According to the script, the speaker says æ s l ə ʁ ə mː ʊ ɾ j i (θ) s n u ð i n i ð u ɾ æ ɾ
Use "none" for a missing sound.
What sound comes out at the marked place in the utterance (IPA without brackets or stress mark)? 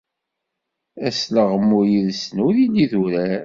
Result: ð